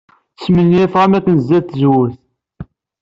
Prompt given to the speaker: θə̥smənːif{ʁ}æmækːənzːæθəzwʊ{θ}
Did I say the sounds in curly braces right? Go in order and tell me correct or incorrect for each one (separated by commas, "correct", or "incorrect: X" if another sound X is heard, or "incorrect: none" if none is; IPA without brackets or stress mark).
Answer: correct, correct